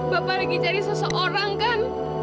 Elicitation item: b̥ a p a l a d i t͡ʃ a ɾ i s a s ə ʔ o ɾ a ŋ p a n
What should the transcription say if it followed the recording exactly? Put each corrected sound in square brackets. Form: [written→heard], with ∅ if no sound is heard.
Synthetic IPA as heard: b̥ a p a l a [d→ɡ] i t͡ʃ a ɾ i s [a→ə] s ə ʔ o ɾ a ŋ [p→k] a n